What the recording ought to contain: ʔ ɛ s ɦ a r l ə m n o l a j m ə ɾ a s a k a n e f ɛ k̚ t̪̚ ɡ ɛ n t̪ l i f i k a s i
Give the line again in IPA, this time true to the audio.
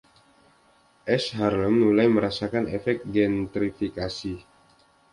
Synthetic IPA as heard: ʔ ɛ s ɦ a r l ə m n u l a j m ə ɾ a s a k a n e f ɛ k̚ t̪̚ ɡ ɛ n t̪ ɾ i f i k a s i